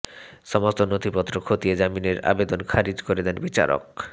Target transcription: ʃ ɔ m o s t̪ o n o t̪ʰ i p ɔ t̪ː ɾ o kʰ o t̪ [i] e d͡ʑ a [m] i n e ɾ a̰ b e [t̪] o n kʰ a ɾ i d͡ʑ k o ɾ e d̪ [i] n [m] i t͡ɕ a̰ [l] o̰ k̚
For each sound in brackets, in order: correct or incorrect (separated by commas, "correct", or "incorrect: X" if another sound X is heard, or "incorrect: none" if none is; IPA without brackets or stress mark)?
correct, correct, incorrect: d̪, incorrect: ɛ, incorrect: b, incorrect: ɾ